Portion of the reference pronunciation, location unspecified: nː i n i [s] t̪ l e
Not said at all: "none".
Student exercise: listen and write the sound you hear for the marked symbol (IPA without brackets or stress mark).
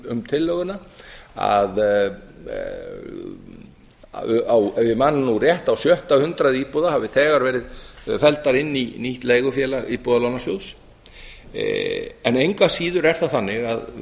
h